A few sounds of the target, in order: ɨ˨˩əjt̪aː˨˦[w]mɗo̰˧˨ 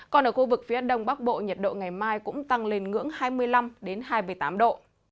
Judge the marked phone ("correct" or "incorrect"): incorrect